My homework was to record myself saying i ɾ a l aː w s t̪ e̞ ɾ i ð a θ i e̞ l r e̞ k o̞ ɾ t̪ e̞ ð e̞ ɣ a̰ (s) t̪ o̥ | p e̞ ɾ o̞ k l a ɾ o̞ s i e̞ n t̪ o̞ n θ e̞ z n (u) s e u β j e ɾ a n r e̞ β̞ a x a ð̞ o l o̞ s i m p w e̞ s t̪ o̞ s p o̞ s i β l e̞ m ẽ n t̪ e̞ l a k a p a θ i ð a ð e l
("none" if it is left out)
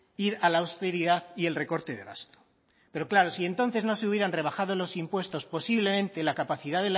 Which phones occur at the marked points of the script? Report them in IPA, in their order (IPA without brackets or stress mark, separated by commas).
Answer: s, o